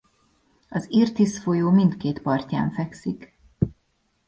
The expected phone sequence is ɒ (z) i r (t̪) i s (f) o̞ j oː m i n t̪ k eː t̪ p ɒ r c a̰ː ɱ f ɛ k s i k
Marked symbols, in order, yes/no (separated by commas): yes, yes, yes